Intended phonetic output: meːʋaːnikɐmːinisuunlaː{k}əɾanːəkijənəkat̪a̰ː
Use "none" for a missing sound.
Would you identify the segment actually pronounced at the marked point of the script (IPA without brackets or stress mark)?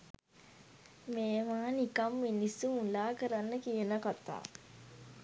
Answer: k